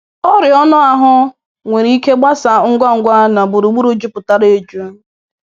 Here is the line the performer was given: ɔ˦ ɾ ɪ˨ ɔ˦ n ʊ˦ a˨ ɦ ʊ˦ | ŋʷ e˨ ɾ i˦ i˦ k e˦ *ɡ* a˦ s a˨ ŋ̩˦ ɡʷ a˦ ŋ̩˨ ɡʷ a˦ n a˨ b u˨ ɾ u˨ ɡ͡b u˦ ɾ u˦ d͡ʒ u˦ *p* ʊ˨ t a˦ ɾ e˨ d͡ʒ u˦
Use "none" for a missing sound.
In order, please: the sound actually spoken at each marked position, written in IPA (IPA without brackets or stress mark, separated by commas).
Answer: ɡ͡b, p